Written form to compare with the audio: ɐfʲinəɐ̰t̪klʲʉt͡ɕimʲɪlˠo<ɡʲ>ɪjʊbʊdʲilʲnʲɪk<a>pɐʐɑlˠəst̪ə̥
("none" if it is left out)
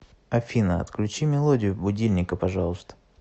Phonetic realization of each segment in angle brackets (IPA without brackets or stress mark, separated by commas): dʲ, ə